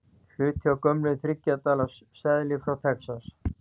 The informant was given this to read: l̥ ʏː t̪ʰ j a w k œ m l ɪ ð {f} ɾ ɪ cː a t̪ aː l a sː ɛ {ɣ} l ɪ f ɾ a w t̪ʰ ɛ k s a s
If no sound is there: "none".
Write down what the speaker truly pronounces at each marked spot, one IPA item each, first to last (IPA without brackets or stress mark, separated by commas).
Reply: θ, ð